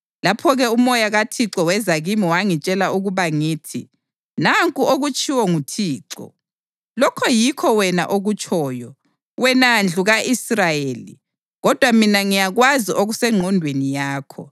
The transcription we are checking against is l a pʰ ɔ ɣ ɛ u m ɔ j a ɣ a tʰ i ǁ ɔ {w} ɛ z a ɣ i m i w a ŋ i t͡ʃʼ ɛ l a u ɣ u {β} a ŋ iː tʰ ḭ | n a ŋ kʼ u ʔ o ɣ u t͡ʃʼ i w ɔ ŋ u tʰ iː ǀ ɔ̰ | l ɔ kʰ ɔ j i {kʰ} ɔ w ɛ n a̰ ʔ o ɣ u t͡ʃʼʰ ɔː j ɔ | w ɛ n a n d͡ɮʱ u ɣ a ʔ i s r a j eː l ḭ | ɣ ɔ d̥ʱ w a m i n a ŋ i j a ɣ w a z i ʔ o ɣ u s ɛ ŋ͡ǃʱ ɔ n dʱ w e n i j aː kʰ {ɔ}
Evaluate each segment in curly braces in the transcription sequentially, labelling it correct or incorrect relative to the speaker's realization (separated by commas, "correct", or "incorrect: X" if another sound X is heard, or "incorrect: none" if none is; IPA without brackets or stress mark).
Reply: correct, correct, correct, correct